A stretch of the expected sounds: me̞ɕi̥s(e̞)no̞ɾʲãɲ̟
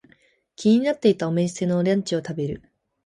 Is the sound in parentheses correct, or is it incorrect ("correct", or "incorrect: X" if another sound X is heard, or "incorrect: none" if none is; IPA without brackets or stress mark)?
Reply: correct